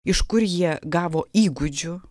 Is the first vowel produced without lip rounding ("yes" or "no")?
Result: yes